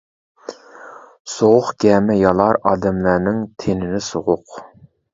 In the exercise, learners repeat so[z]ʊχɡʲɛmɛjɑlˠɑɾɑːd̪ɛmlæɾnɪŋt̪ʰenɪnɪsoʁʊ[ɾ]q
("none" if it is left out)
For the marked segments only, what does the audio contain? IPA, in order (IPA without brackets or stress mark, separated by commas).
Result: ʁ, none